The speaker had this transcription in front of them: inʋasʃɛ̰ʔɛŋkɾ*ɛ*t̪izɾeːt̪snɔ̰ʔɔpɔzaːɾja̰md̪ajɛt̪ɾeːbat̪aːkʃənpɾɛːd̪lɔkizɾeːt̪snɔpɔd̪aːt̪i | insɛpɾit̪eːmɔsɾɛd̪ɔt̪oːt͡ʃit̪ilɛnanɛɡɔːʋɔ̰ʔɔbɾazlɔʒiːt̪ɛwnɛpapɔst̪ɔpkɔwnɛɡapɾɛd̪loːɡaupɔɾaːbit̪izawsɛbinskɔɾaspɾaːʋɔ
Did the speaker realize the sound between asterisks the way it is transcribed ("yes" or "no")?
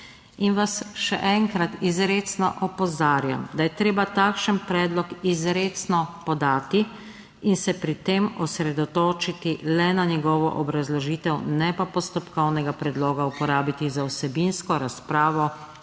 no